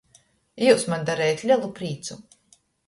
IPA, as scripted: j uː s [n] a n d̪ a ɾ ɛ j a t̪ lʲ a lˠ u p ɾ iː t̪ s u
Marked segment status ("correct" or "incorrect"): incorrect